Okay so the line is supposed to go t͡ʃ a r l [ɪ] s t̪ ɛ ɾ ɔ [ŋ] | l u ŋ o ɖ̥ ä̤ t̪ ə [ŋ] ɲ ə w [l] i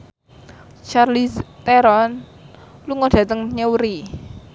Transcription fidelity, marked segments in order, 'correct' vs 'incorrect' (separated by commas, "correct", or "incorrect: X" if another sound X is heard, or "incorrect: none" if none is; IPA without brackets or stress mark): incorrect: i, incorrect: n, correct, incorrect: ɾ